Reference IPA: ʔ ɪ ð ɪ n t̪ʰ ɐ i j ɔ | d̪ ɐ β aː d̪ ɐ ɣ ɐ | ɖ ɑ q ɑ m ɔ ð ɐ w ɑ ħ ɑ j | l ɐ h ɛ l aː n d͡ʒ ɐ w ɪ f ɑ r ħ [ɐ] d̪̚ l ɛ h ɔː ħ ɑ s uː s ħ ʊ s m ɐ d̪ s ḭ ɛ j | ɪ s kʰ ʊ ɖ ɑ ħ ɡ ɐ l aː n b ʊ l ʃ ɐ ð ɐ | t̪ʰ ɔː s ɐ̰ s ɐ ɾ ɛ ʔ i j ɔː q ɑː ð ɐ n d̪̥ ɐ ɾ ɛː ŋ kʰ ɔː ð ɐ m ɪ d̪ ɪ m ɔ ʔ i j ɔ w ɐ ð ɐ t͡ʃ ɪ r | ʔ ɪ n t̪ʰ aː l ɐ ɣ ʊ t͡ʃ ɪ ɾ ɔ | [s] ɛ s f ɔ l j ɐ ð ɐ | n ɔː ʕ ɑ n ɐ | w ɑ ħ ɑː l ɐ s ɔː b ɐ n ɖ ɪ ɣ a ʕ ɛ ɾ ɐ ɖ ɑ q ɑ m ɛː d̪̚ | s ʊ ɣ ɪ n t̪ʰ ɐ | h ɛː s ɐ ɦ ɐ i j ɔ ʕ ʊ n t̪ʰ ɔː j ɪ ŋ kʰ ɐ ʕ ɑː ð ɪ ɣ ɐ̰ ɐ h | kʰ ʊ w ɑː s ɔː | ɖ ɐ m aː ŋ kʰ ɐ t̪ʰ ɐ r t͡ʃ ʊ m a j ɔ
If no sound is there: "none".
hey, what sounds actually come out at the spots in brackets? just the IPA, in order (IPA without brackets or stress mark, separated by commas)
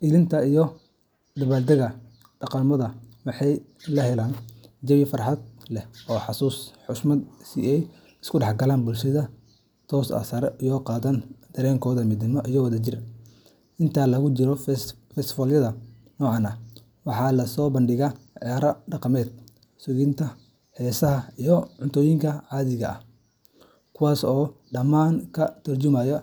ɑ, f